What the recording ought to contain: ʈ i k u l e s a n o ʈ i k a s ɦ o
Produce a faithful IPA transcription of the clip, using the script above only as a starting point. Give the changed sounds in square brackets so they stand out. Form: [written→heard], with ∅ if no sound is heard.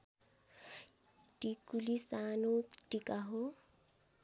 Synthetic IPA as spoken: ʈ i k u l [e→i] s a n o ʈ i k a [s→∅] ɦ o